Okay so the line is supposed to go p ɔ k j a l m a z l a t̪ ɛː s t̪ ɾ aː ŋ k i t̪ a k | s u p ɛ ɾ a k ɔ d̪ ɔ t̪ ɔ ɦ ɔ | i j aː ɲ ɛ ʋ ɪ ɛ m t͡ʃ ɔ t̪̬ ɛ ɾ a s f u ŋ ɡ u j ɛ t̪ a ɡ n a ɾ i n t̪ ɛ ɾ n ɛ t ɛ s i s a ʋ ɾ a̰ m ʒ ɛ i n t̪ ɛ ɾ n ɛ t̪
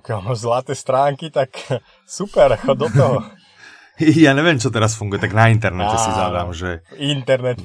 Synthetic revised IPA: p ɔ k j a l m a z l a t̪ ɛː s t̪ ɾ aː ŋ k i t̪ a k | s u p ɛ ɾ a k ɔ d̪ ɔ t̪ ɔ ɦ ɔ | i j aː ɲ ɛ ʋ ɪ ɛ m t͡ʃ ɔ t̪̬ ɛ ɾ a s f u ŋ ɡ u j ɛ t̪ a ɡ n a i n t̪ ɛ ɾ n ɛ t ɛ s i z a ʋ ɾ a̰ m ʒ ɛ i n t̪ ɛ ɾ n ɛ t̪